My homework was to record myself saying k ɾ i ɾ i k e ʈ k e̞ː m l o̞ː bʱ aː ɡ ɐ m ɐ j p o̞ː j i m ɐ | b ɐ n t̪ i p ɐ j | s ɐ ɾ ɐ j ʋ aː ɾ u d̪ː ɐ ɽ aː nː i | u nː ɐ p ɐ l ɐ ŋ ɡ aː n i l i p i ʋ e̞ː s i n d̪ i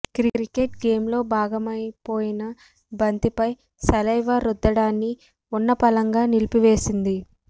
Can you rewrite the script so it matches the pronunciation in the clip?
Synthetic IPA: k ɾ i ɾ i k e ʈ ɡ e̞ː m l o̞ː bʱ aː ɡ ɐ m ɐ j p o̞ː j i n ɐ | b ɐ n t̪ i p ɐ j | s ɐ l ɐ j ʋ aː ɾ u d̪ː ɐ ɽ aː nː i | u nː ɐ p ɐ l ɐ ŋ ɡ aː n i l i p i ʋ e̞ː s i n d̪ i